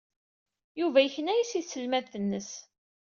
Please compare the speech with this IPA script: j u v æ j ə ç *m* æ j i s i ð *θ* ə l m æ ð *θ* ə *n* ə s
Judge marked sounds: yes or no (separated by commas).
no, no, yes, no